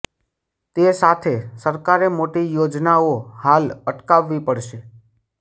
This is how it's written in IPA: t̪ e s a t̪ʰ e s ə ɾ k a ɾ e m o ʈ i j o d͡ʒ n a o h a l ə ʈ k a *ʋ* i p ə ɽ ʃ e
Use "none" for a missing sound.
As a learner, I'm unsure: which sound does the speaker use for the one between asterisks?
ʋː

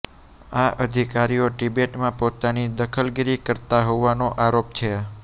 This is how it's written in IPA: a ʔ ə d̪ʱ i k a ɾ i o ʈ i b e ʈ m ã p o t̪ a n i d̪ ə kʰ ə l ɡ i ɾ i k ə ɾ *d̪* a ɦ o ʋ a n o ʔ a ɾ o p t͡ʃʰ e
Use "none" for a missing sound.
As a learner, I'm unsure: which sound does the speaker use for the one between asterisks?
t̪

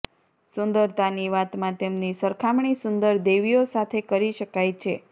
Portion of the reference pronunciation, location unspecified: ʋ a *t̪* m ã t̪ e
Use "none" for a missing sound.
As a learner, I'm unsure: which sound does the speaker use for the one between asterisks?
t̪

